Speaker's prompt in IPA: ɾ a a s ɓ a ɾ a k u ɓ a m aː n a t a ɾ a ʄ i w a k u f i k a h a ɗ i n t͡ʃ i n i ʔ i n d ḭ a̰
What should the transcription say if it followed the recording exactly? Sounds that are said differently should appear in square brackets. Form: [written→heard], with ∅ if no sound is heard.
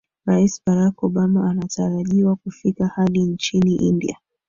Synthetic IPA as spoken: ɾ a [a→i] s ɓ a ɾ a k [u→ɔ] ɓ a m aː n a t a ɾ a ʄ i w a k u f i k a h a ɗ i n t͡ʃ i n i ʔ i n d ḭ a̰